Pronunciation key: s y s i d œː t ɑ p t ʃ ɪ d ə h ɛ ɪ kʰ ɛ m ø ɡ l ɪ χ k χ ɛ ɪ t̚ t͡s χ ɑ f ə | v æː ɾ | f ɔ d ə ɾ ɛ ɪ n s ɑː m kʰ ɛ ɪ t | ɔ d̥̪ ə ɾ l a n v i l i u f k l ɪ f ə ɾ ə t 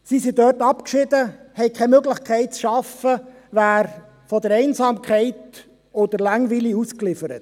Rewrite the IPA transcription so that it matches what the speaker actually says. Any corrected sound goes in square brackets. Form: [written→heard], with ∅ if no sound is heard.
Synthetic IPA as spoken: s [y→i] s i d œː t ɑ p [t→k] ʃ ɪ d ə h ɛ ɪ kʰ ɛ m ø ɡ l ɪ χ k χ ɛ ɪ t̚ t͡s [χ→ʃ] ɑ f ə | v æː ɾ | f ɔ d ə ɾ ɛ ɪ n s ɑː m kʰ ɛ ɪ t | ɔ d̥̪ ə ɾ l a [n→ŋ] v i l i u [f→s] k l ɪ f ə ɾ ə t